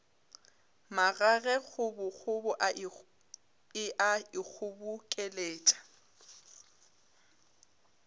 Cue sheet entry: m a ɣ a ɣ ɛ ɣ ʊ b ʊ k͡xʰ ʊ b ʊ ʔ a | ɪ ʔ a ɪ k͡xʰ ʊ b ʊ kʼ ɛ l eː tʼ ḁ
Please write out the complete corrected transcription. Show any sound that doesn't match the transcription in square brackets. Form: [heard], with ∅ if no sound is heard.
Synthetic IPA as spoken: m a ɣ a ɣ ɛ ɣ ʊ b ʊ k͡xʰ ʊ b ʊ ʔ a | ɪ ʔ a ɪ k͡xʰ ʊ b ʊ kʼ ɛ l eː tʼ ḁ